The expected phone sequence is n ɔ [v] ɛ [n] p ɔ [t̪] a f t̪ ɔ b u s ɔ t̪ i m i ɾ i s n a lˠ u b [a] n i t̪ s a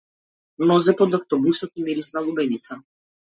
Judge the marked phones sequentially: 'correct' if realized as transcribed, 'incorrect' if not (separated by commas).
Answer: incorrect, incorrect, incorrect, incorrect